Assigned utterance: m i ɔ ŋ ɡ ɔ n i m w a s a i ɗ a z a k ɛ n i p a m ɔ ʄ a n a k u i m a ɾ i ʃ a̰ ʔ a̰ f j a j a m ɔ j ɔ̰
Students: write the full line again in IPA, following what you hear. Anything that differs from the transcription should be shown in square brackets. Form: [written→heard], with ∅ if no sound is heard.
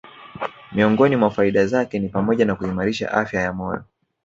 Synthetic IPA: m i ɔ ŋ ɡ ɔ n i m w a [s→f] a i ɗ a z a k ɛ n i p a m ɔ ʄ a n a k u i m a ɾ i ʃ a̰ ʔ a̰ f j a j a m ɔ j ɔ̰

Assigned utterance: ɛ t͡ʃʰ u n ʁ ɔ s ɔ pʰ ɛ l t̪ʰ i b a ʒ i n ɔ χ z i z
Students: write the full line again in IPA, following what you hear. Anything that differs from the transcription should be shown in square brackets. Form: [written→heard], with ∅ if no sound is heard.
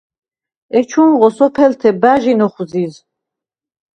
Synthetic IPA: ɛ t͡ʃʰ u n ʁ ɔ s ɔ pʰ ɛ l t̪ʰ [i→ɛ] b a ʒ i n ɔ χ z i z

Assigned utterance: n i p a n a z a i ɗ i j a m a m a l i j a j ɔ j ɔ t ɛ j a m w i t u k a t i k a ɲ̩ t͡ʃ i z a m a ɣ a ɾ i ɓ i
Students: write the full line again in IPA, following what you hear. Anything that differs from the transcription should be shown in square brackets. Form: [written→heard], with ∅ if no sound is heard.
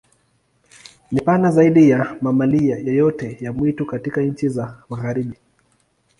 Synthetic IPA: n i p a n a z a i ɗ i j a m a m a l i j a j ɔ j ɔ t ɛ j a m w i t u k a t i k a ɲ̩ t͡ʃ i z a m a ɣ a ɾ i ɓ i

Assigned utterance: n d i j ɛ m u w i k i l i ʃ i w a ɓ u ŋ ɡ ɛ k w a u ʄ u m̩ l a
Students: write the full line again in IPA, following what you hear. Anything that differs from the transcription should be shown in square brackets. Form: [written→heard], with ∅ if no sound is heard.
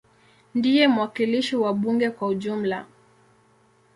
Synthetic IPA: n d i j ɛ m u w [i→a] k i l i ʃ i w a ɓ u ŋ ɡ ɛ k w a u ʄ u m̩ l a

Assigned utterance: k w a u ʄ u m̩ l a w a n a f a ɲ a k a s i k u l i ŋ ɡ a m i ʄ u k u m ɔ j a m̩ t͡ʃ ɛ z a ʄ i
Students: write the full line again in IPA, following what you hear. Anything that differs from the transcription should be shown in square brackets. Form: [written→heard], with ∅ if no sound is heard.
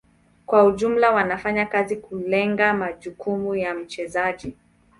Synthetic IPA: k w a u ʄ u m̩ l a w a n a f a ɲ a k a [s→z] i k u l [i→ɛ] ŋ ɡ a m [i→a] ʄ u k u m [ɔ→u] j a m̩ t͡ʃ ɛ z a ʄ i

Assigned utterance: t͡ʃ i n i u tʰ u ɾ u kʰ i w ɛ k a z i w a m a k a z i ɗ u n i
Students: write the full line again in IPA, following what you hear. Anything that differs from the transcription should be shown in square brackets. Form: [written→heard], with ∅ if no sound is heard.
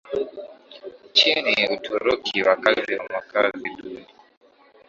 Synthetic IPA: t͡ʃ i n i u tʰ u ɾ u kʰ i w [ɛ→a] k a z i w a m a k a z i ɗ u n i

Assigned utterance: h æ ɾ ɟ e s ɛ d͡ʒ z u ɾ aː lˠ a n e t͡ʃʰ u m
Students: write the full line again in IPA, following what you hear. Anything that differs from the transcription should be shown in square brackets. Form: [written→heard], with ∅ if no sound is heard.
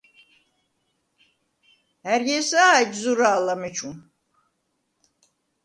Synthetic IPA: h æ ɾ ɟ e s [ɛ→a] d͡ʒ z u ɾ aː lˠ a [n→m] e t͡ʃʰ u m

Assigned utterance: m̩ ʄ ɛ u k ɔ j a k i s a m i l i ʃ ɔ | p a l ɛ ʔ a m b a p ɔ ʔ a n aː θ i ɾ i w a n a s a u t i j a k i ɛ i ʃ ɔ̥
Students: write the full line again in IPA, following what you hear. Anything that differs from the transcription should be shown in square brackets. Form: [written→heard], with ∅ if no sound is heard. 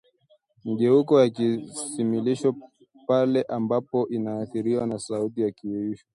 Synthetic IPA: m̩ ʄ ɛ u k ɔ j a k i s [a→i] m i l i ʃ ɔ | p a l ɛ ʔ a m b a p ɔ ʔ [a→i] n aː θ i ɾ i w a n a s a u t i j a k i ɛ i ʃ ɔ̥

